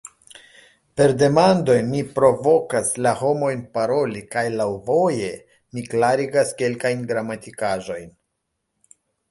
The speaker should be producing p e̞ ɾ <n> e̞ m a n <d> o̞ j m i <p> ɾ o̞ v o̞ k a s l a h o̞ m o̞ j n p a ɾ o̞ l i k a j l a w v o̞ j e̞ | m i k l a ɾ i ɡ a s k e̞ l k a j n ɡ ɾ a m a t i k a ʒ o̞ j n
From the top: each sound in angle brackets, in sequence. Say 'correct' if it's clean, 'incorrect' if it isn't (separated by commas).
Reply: incorrect, correct, correct